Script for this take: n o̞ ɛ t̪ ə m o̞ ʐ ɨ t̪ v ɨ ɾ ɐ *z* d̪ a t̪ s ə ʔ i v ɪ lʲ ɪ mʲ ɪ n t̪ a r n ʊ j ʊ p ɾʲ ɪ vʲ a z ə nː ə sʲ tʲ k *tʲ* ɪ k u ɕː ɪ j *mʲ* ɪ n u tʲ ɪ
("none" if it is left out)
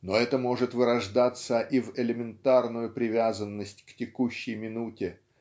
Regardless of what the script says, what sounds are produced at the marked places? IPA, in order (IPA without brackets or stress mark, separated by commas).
ʐ, tʲ, mʲ